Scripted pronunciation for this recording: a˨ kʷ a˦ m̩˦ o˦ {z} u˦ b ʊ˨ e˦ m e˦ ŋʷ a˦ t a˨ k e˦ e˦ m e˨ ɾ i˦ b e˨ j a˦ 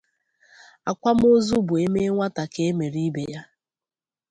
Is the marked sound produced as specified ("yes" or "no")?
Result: yes